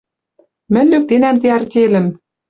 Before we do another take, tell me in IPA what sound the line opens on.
m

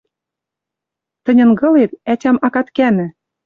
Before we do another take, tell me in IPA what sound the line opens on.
t̪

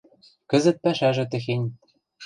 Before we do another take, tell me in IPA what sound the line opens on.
k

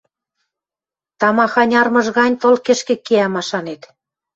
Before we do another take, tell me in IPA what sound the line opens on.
t̪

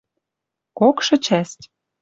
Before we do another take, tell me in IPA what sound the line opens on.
k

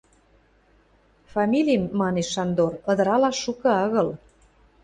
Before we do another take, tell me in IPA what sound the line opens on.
f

